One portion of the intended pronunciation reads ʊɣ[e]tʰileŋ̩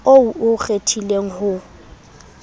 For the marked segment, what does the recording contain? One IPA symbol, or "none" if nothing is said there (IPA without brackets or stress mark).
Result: e